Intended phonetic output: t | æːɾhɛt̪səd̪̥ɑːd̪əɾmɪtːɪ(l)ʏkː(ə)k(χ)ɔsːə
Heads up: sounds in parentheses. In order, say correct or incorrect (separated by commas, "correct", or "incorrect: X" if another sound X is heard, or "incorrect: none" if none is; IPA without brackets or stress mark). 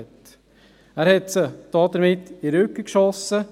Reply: incorrect: ɾ, correct, incorrect: ʃ